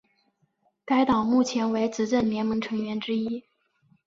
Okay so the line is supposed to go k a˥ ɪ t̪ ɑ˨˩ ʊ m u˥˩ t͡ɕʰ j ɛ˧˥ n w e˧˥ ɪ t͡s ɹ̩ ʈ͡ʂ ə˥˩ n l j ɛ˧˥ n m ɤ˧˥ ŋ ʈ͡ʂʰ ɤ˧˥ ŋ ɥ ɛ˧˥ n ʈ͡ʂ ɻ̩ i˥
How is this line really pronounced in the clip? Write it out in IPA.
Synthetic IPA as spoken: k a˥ ɪ t̪ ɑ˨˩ ʊ m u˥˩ t͡ɕʰ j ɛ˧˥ n w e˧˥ ɪ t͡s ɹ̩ ʈ͡ʂ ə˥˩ n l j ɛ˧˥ n m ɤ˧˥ ŋ ʈ͡ʂʰ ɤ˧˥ ŋ ɥ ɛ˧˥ n ʈ͡ʂ ɻ̩ i˥